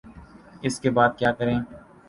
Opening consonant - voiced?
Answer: no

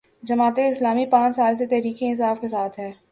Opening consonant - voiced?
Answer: yes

